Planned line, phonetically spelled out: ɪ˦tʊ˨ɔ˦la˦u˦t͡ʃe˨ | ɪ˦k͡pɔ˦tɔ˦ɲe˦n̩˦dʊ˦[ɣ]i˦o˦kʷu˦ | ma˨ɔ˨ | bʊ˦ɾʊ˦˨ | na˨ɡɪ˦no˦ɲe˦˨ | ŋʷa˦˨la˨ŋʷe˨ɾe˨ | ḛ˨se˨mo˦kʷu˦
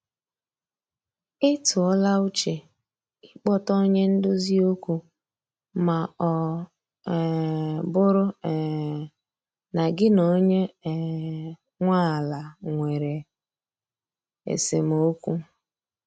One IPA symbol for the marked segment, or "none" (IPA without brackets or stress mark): z